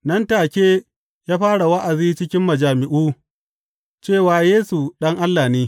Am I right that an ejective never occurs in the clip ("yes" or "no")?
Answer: yes